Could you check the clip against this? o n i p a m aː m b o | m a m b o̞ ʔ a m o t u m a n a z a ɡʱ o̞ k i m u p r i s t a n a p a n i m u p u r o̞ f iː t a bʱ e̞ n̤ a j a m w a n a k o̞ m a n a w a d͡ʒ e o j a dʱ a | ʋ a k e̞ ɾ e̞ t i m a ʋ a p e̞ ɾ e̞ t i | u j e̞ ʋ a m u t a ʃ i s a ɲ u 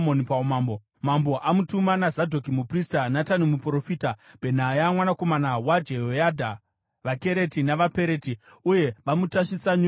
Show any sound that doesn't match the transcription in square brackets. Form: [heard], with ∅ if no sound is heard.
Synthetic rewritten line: o n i p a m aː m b o | m a m b o̞ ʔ a m [u] t u m a n a z a [dʱ] o̞ k i m u p r i s t a n a [t] a n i m u p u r o̞ f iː t a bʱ e̞ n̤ a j a m w a n a k o̞ m a n a w a d͡ʒ e o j a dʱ a | ʋ a k e̞ ɾ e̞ t i [n] a ʋ a p e̞ ɾ e̞ t i | u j e̞ ʋ a m u t a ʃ i s a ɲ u